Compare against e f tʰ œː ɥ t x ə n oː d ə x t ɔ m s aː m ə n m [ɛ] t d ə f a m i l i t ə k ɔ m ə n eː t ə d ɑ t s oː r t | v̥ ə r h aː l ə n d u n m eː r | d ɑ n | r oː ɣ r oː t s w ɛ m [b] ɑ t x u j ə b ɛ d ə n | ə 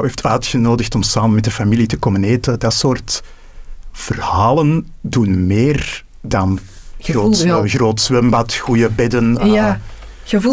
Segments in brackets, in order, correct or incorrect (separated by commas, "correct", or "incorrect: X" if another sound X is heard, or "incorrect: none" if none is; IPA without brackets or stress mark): correct, correct